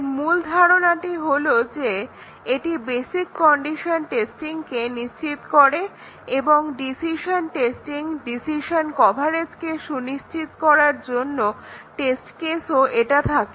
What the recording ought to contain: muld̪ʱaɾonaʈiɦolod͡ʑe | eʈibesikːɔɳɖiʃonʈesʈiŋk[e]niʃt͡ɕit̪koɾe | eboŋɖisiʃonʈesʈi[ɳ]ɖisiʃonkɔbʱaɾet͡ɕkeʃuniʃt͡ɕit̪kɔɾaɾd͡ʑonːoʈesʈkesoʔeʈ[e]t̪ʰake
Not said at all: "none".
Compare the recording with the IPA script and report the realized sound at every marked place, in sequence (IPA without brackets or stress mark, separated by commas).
e, ŋ, a